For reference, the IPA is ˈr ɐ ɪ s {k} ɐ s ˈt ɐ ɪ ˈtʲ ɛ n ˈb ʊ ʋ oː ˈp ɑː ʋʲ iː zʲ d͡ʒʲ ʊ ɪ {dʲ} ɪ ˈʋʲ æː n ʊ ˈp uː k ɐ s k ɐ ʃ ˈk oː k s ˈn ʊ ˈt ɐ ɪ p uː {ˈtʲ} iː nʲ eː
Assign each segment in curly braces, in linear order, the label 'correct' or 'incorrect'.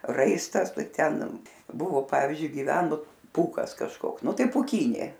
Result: incorrect: t, incorrect: ɡʲ, incorrect: kʲ

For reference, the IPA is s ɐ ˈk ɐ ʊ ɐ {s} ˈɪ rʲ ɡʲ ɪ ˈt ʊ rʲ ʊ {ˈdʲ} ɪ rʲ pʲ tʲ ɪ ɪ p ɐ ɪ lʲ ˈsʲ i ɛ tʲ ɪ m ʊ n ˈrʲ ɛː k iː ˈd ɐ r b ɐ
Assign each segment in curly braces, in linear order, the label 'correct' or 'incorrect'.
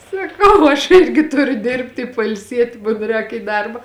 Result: incorrect: ʃ, correct

